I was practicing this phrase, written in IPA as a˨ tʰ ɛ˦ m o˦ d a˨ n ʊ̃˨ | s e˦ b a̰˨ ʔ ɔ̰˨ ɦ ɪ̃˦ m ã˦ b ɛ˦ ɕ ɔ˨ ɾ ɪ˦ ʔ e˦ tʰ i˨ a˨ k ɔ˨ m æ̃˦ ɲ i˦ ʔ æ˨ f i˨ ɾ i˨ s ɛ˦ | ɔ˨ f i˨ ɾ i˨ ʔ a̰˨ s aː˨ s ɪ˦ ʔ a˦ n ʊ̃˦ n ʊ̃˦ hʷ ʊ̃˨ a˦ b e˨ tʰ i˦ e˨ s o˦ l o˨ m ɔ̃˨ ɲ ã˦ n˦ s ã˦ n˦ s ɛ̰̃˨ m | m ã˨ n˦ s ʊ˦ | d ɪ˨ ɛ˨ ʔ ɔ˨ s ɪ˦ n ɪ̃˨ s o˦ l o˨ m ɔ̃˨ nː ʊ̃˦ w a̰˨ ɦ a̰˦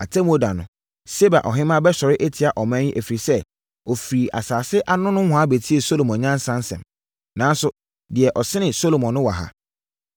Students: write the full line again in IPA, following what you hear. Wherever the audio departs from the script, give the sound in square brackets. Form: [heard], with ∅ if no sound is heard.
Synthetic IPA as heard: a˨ tʰ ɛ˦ m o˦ d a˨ n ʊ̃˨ | s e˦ b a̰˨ ʔ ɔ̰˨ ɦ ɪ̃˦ m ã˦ b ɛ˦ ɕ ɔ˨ ɾ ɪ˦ ʔ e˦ tʰ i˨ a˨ [ʔ] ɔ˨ m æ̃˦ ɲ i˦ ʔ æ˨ f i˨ ɾ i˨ s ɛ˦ | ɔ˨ f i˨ ɾ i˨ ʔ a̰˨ s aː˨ s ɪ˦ ʔ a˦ n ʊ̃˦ n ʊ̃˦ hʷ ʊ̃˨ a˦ b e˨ tʰ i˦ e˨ s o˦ l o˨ m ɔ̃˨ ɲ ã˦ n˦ s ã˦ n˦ s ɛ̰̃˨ m | [n] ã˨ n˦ s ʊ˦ | d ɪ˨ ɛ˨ ʔ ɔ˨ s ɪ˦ n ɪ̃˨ s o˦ l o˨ m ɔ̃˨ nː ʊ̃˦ w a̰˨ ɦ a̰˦